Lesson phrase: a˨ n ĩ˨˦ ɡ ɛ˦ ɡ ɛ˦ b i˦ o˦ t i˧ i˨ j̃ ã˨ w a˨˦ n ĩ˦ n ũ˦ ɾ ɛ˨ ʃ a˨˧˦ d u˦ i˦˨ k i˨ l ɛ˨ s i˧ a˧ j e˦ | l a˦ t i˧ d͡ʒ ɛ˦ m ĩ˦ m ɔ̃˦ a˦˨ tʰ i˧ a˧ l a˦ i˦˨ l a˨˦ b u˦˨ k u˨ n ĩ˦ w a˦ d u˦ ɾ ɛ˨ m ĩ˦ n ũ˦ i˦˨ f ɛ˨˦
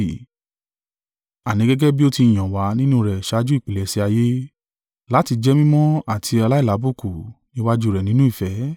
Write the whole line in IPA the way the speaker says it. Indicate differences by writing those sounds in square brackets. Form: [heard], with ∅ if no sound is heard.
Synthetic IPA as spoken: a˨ n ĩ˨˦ ɡ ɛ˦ ɡ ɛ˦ b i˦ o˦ t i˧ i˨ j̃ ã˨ w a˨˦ n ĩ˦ n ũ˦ ɾ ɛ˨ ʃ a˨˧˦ [d͡ʒ] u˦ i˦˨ [k͡p] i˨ l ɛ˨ s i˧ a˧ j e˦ | l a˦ t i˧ d͡ʒ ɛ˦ m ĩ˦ m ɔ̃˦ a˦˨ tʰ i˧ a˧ l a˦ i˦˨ l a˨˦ b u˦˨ k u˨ n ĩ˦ w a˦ [d͡ʒ] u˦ ɾ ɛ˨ [n] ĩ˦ n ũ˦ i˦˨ f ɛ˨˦

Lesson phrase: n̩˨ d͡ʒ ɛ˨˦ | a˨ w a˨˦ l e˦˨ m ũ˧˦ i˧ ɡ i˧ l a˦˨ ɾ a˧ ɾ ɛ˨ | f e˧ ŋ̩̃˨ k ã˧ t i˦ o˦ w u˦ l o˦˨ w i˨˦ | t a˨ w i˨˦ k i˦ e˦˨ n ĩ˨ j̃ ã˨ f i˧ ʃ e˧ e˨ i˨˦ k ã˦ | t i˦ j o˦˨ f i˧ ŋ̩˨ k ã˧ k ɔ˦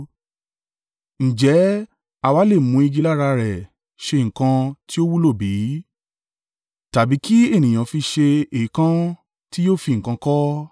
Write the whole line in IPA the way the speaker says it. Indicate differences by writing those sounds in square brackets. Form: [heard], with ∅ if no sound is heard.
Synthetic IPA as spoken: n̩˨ d͡ʒ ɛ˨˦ | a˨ w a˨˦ l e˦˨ m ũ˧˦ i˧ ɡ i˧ l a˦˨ ɾ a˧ ɾ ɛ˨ | [ʃ] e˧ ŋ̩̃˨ k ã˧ t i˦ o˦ w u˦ l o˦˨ [b] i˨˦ | t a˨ [b] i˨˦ k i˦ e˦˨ n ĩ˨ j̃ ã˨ f i˧ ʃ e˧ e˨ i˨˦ k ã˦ | t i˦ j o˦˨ f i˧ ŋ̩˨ k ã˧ k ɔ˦

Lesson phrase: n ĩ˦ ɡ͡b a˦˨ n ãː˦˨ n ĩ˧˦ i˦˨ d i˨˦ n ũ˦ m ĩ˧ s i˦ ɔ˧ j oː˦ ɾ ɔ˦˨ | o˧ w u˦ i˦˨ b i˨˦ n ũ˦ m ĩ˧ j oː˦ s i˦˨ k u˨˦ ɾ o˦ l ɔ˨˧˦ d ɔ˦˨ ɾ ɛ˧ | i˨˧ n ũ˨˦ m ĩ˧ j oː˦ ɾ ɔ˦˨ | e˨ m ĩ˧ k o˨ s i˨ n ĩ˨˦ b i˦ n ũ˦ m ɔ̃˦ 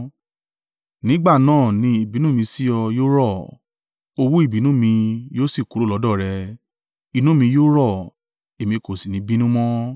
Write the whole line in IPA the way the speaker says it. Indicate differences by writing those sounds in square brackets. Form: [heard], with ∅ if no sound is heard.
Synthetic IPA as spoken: n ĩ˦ ɡ͡b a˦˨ n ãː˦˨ n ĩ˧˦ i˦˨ [b] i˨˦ n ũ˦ m ĩ˧ s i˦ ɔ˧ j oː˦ ɾ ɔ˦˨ | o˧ w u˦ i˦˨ b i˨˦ n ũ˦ m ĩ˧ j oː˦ s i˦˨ k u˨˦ ɾ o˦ l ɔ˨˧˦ d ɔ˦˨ ɾ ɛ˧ | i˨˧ n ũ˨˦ m ĩ˧ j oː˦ ɾ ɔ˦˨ | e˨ m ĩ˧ k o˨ s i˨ n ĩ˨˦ b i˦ n ũ˦ m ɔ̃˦

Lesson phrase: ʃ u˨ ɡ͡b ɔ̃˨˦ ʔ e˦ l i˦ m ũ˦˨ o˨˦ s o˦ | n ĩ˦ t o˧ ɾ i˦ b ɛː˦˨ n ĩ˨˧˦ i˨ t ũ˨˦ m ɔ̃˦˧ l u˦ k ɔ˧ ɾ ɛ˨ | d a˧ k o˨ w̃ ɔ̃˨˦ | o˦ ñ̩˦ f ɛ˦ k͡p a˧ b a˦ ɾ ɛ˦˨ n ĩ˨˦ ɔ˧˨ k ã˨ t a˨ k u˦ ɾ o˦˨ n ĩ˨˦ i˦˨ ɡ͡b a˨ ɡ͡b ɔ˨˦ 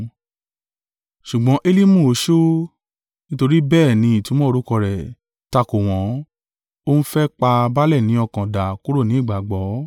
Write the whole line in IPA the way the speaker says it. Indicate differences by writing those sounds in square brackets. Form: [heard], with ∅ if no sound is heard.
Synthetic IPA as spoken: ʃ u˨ ɡ͡b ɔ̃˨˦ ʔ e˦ l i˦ m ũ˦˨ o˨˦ [ʃ] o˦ | n ĩ˦ t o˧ ɾ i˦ b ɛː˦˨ n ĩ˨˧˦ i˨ t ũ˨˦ m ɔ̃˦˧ [ɾ] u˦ k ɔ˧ ɾ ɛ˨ | [t] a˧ k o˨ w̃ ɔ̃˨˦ | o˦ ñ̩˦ f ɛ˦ k͡p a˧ b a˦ [l] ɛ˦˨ n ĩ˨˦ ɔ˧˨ k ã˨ [d] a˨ k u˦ ɾ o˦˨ n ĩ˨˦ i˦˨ ɡ͡b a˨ ɡ͡b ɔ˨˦

